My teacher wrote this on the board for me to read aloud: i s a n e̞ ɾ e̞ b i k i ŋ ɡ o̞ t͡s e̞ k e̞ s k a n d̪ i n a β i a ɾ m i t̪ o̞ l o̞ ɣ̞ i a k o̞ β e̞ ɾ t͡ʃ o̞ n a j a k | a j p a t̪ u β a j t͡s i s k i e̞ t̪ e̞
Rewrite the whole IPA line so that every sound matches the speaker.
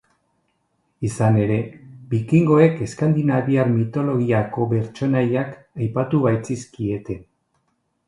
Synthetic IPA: i s a n e̞ ɾ e̞ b i k i ŋ ɡ o̞ e̞ k e̞ s k a n d̪ i n a β i a ɾ m i t̪ o̞ l o̞ ɣ̞ i a k o̞ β e̞ ɾ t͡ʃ o̞ n a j a k | a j p a t̪ u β a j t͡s i s k i e̞ t̪ e̞